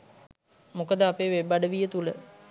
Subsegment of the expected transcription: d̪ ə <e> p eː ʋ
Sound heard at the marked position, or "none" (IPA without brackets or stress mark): a